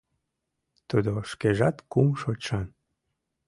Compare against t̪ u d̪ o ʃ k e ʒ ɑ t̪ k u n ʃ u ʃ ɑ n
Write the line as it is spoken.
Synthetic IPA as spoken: t̪ u d̪ o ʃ k e ʒ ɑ t̪ k u m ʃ o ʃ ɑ n

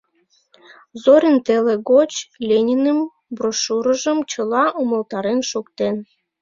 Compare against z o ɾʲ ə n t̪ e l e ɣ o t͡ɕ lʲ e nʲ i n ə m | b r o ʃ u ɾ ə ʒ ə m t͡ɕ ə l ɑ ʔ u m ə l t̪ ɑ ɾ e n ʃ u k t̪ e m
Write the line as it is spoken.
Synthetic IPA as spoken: z o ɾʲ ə n t̪ e l e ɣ o t͡ɕ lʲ e nʲ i n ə m | b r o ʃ u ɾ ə ʒ ə m t͡ɕ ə l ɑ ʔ u m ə l t̪ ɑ ɾ e n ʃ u k t̪ e n

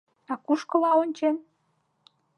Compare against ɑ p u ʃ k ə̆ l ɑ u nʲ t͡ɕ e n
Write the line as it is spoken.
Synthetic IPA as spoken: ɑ k u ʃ k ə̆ l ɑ o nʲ t͡ɕ e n

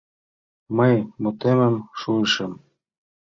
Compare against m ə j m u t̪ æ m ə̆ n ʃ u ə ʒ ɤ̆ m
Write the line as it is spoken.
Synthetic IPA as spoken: m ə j m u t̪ e m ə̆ m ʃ u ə ʃ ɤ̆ m

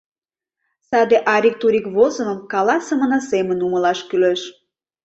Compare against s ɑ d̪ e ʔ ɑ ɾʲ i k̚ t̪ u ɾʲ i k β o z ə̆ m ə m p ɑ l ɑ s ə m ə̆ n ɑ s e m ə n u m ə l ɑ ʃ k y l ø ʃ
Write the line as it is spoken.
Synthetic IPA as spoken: s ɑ d̪ e ʔ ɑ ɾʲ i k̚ t̪ u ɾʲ i k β o z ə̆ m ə m k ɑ l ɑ s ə m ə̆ n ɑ s e m ə n u m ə l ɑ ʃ k y l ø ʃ

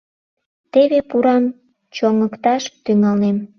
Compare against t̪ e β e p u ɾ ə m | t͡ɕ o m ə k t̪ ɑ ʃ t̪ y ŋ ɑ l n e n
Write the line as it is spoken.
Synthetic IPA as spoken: t̪ e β e p u ɾ ɑ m | t͡ɕ o ŋ ə k t̪ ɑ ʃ t̪ y ŋ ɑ l n e m

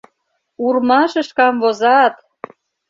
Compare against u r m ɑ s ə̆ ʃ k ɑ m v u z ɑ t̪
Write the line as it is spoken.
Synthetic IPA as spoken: u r m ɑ ʃ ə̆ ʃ k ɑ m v o z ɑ t̪

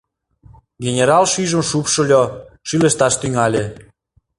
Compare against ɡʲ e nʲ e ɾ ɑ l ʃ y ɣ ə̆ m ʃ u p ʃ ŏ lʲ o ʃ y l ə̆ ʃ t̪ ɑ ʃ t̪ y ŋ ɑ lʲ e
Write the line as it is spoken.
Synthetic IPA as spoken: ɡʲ e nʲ e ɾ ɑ l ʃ y ʒ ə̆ m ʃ u p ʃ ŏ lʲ o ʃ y l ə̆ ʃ t̪ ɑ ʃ t̪ y ŋ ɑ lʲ e

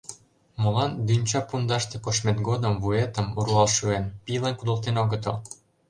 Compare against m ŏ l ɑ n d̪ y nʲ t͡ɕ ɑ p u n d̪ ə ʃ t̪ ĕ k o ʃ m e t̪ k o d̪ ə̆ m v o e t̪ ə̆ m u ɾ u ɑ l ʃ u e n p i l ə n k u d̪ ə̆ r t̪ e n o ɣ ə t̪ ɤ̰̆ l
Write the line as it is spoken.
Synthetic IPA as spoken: m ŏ l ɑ n d̪ y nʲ t͡ɕ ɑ p u n d̪ ɑ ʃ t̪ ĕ k o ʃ m e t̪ ɡ o d̪ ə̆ m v u e t̪ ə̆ m u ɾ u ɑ l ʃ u e n p i l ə n k u d̪ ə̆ l t̪ e n o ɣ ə t̪ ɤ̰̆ l

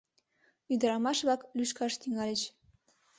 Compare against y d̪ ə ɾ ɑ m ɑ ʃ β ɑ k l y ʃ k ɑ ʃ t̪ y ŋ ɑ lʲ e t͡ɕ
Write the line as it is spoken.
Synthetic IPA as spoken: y d̪ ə ɾ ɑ m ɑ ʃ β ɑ k l y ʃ k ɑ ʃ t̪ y ŋ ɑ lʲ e t͡ɕ

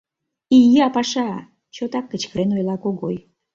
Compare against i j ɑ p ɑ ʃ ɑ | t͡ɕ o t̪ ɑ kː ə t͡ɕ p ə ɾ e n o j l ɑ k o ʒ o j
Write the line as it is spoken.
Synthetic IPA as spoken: i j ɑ p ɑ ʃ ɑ | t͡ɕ o t̪ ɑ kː ə t͡ɕ k ə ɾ e n o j l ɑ k o ɣ o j

